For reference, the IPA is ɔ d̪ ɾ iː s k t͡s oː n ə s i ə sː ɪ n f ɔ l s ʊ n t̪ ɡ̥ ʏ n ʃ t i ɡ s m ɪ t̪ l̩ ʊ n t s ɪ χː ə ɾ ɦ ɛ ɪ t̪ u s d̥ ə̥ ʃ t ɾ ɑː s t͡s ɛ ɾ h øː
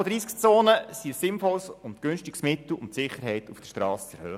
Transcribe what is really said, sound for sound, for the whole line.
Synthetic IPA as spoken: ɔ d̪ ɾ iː s k t͡s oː n ə s i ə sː ɪ n f ɔ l s ʊ n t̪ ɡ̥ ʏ n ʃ t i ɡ s m ɪ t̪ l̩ ʊ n t s ɪ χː ə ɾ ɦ ɛ ɪ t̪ u f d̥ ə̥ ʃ t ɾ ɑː s t͡s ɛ ɾ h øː